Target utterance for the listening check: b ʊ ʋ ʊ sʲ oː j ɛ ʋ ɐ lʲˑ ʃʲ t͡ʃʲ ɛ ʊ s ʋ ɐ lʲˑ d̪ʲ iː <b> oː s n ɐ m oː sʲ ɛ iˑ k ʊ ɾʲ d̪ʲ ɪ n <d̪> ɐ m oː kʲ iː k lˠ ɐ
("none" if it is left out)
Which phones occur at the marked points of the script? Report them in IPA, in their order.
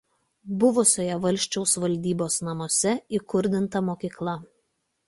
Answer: b, t̪

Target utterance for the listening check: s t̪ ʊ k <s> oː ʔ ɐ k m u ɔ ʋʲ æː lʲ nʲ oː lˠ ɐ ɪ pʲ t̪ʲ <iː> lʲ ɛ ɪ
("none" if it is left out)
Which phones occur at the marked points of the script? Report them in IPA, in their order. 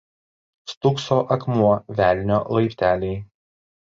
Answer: s, æː

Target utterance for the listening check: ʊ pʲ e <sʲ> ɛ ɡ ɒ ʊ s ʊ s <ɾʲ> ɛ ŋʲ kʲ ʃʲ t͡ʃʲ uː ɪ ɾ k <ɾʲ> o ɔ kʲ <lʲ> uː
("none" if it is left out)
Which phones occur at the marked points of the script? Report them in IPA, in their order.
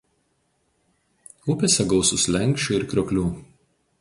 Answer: sʲ, lʲ, ɾʲ, lʲ

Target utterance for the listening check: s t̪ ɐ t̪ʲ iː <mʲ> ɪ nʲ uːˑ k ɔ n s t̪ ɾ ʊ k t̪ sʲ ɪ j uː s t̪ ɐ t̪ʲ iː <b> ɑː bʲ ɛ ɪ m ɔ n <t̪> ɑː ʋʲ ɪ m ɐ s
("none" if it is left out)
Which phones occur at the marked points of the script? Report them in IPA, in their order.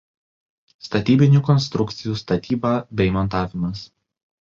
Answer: bʲ, b, t̪

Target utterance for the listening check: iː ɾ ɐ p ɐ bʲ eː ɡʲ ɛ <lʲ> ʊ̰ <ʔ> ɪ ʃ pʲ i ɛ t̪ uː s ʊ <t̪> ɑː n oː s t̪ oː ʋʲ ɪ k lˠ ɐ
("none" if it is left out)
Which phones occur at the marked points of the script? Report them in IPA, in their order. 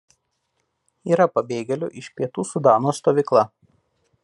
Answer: lʲ, ʔ, d̪

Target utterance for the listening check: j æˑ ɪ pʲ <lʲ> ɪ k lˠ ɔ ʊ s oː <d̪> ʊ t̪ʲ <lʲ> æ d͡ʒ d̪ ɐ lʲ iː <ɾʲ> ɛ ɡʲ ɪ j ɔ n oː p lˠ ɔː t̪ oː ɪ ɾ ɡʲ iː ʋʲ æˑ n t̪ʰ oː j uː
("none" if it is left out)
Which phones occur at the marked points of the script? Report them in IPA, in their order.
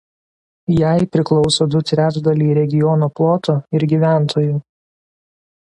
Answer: ɾʲ, d̪, ɾʲ, ɾʲ

